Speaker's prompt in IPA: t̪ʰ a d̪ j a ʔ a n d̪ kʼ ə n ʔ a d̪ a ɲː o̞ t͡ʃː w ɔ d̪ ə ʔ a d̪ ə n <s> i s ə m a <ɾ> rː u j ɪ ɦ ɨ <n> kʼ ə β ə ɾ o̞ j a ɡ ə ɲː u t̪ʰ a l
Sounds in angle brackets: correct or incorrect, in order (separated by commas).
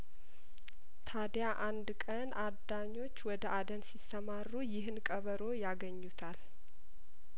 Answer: correct, incorrect, correct